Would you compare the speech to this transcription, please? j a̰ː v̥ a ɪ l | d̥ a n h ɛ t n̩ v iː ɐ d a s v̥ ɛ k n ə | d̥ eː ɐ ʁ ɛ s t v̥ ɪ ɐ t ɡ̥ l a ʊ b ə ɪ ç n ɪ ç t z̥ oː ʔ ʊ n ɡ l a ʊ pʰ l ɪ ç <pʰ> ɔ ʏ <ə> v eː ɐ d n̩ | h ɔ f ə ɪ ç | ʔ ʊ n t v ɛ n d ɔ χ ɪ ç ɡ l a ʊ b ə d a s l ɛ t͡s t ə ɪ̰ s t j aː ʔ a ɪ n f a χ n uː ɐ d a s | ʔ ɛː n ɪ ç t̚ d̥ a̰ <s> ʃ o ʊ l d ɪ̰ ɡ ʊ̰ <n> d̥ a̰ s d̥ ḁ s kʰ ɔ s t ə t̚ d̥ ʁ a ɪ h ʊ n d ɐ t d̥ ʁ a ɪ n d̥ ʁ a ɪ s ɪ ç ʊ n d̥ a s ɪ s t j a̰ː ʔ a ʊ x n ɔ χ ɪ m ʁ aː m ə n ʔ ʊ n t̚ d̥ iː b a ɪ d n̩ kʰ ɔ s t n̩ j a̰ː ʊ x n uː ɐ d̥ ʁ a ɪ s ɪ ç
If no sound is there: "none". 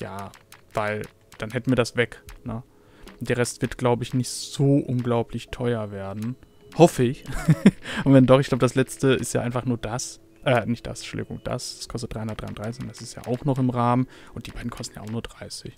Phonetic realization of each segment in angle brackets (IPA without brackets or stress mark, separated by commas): tʰ, ɐ, s, ŋ